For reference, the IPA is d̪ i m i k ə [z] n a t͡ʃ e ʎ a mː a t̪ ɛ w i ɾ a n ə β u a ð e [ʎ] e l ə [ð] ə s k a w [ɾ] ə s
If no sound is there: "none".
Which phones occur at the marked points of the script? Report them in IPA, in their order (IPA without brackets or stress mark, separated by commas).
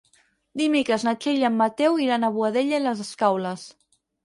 z, ʎ, z, l